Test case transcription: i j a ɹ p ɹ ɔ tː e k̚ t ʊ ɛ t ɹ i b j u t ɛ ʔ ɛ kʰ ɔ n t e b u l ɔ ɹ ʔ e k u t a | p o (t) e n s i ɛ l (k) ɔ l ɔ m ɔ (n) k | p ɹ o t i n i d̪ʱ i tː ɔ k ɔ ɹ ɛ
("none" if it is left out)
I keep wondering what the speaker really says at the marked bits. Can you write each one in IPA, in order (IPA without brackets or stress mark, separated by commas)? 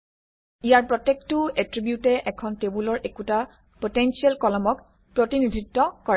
t, k, none